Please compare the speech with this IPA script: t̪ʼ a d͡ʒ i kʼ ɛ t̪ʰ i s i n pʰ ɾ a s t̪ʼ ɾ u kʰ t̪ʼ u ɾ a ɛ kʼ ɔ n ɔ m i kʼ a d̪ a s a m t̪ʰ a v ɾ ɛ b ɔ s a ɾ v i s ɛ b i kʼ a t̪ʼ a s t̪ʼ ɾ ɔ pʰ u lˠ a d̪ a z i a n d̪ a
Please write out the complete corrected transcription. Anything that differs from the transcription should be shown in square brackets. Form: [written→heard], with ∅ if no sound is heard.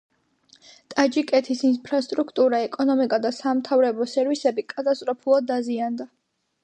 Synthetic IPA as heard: t̪ʼ a d͡ʒ i kʼ ɛ t̪ʰ i s i n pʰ ɾ a s t̪ʼ ɾ u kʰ t̪ʼ u ɾ a ɛ kʼ ɔ n ɔ m i kʼ a d̪ a s a m t̪ʰ a v ɾ ɛ b ɔ s [a→ɛ] ɾ v i s ɛ b i kʼ a t̪ʼ a s t̪ʼ ɾ ɔ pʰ u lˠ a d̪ a z i a n d̪ a